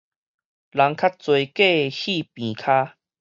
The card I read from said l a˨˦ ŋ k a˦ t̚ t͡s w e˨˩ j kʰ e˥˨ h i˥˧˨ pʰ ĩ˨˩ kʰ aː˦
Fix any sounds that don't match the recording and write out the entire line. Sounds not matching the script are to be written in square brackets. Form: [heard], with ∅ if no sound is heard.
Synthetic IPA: l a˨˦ ŋ [kʰ] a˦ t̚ t͡s w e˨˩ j [k] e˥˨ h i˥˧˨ [p] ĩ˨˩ kʰ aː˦